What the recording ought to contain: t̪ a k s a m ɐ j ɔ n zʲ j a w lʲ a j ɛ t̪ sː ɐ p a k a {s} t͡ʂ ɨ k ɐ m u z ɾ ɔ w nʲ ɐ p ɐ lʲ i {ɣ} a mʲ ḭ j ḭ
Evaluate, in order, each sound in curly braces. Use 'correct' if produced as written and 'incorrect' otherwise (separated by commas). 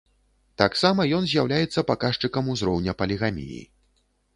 incorrect, correct